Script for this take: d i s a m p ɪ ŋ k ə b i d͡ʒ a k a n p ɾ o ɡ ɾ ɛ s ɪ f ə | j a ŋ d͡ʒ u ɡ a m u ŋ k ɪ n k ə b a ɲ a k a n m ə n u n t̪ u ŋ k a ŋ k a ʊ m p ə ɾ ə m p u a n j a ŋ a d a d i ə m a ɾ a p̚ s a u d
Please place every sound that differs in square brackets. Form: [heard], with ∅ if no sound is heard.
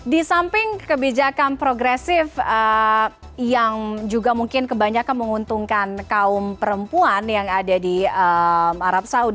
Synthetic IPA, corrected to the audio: d i s a m p ɪ ŋ k ə b i d͡ʒ a k a n p ɾ o ɡ ɾ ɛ s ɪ f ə | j a ŋ d͡ʒ u ɡ a m u ŋ k ɪ n k ə b a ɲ a k a n m ə [ŋ] u n t̪ u ŋ k a [n] k a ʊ m p ə ɾ ə m p u a n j a ŋ a d a d i ə m a ɾ a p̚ s a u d